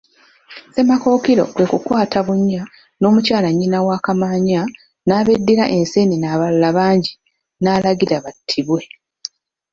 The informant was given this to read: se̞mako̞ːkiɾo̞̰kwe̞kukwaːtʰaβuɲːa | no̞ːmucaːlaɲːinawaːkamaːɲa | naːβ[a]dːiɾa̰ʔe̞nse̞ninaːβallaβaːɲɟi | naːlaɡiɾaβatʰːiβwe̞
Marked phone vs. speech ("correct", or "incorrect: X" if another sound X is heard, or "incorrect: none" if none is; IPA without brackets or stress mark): incorrect: e